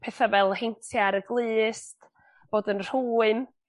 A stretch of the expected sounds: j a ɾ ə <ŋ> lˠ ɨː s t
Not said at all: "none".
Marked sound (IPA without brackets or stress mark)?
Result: ɡ